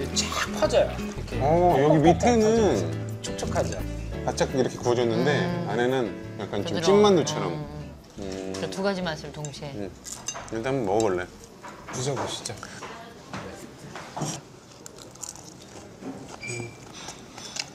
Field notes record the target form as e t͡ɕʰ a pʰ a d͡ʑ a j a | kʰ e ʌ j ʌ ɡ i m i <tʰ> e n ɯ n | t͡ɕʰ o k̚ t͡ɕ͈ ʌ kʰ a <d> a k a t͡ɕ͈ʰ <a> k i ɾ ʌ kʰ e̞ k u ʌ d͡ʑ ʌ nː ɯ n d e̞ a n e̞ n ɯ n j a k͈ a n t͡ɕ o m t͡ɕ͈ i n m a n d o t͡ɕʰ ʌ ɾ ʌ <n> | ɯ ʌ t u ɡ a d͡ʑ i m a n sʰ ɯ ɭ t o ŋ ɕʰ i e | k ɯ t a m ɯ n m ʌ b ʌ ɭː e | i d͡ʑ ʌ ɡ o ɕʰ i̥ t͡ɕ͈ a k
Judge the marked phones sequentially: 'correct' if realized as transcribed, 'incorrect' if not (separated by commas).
correct, incorrect, correct, incorrect